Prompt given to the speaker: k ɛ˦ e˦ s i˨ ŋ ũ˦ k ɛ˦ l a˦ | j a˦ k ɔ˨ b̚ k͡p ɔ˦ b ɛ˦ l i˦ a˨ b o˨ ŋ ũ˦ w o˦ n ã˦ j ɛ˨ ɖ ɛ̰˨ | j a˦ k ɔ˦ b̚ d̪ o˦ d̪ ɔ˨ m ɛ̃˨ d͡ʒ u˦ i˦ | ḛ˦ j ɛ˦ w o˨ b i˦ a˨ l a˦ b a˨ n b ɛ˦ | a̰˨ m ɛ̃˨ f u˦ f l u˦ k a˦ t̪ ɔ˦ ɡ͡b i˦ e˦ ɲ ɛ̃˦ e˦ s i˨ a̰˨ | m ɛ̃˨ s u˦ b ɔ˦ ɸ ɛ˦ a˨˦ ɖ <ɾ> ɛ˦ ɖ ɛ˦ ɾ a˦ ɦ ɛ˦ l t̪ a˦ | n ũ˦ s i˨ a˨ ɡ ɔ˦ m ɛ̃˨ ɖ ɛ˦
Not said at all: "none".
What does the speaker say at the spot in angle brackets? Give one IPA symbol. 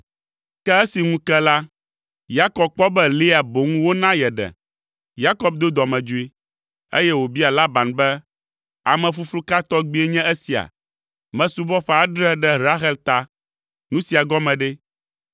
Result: ɾ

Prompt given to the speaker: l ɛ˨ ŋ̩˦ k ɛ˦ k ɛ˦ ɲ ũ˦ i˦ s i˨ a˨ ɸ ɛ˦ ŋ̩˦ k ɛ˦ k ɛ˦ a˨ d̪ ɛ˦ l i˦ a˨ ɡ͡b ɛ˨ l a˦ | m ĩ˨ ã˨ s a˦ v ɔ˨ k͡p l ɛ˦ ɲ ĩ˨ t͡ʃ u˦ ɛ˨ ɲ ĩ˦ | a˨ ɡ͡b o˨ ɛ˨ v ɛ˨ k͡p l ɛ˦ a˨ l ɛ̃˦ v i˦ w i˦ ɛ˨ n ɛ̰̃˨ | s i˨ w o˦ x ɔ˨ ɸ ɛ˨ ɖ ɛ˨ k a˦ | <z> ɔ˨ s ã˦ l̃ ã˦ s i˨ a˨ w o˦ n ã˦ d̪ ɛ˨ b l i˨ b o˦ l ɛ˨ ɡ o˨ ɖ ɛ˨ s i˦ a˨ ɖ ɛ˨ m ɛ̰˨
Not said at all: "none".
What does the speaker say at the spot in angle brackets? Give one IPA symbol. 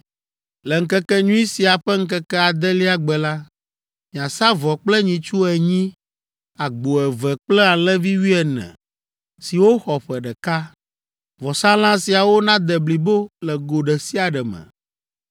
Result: v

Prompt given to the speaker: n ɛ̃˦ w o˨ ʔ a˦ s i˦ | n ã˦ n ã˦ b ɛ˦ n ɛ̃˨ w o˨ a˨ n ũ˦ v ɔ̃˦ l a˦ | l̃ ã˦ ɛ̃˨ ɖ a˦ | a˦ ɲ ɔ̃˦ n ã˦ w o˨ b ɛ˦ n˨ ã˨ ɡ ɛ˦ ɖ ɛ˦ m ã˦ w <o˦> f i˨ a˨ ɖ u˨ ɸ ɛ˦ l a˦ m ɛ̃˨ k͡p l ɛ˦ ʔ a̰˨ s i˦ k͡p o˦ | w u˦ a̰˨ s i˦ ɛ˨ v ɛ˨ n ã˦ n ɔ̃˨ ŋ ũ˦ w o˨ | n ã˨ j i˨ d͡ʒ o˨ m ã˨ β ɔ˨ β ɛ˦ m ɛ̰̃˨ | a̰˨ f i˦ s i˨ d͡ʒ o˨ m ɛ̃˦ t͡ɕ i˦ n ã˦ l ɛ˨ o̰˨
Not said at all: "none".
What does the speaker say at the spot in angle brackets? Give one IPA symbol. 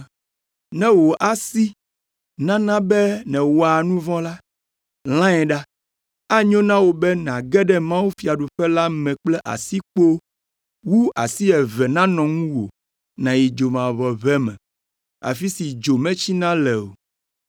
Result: u˦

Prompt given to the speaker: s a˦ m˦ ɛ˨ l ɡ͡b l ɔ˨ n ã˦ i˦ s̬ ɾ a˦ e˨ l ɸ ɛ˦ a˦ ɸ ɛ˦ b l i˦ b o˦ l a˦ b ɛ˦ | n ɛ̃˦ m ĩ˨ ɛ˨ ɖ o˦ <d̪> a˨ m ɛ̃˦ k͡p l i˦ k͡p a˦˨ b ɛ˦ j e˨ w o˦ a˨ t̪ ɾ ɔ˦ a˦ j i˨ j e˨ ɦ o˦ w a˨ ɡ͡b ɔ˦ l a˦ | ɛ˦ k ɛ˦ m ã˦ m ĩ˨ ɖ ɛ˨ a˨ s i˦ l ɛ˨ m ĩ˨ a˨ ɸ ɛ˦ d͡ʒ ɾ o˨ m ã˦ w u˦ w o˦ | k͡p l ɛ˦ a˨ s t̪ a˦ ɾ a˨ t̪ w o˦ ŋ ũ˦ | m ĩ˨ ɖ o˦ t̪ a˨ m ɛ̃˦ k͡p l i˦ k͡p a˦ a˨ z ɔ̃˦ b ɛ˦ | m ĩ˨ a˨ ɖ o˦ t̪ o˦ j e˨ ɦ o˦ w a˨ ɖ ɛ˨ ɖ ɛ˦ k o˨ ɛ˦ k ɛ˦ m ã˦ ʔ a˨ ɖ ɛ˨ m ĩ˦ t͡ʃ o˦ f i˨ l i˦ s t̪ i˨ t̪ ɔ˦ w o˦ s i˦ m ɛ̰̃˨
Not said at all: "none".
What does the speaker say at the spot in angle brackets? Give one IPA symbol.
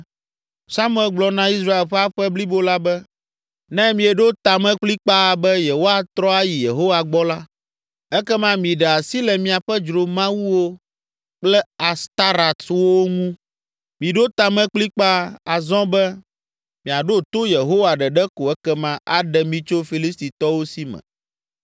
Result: t̪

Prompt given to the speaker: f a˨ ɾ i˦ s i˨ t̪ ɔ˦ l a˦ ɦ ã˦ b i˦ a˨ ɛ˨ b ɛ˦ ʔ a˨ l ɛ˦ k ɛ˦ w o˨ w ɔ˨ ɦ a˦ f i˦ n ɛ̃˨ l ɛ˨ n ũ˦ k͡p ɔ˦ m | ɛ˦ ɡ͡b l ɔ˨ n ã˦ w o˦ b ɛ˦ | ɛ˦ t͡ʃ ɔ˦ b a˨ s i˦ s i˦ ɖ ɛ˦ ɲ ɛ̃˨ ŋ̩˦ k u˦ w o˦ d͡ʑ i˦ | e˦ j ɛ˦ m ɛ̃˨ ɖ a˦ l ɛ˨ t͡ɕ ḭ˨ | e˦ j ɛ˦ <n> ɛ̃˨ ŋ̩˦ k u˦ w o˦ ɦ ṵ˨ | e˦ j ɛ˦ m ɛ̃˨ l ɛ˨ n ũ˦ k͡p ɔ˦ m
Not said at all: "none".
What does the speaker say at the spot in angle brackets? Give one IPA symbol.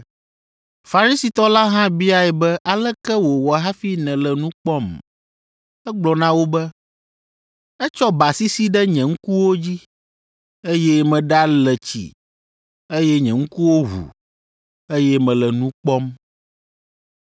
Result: ɲ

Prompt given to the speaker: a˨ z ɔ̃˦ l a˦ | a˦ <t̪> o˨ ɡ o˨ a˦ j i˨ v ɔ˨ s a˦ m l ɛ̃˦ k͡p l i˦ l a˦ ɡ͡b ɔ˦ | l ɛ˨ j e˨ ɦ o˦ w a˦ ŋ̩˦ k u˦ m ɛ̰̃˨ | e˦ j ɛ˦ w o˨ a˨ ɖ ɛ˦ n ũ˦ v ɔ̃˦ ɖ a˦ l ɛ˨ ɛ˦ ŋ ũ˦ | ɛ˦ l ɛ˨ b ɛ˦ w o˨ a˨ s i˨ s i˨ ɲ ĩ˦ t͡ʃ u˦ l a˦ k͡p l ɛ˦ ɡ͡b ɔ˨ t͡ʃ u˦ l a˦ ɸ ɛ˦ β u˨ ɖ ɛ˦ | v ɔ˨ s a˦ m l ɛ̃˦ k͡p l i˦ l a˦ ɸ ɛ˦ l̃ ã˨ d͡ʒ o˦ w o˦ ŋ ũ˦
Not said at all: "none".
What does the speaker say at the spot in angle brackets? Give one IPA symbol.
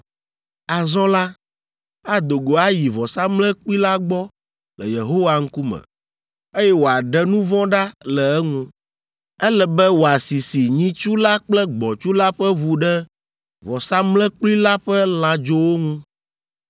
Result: d̪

